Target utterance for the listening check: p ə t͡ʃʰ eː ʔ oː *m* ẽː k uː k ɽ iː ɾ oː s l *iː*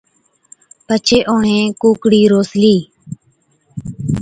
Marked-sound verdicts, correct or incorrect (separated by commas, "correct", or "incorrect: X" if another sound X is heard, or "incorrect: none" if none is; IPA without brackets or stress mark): incorrect: ɳ, correct